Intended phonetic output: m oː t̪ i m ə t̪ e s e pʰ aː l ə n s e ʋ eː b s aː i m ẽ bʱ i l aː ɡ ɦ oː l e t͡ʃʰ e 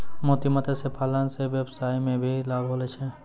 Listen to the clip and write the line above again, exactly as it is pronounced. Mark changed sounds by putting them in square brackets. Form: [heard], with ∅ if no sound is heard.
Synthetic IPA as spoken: m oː t̪ i m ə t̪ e s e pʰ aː l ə n s e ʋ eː b s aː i m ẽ bʱ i l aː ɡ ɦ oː l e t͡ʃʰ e